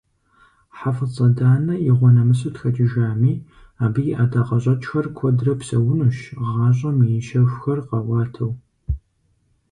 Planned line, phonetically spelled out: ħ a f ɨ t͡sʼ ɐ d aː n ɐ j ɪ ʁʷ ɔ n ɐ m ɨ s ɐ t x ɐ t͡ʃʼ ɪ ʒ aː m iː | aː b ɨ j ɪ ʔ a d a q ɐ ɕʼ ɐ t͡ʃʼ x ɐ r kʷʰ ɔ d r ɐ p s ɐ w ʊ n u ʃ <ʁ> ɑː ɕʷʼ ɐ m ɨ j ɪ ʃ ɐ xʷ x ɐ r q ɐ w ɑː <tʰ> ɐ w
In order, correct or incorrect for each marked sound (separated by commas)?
correct, correct